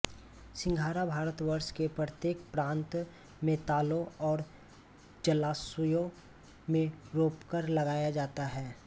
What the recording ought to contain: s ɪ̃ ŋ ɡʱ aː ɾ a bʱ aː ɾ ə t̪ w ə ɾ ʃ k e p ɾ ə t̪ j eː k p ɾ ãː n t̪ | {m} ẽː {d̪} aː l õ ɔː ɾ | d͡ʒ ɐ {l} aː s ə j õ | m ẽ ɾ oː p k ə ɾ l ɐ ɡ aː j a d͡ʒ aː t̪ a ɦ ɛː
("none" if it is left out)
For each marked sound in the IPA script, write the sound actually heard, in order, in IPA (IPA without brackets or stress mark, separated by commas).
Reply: m, t̪, l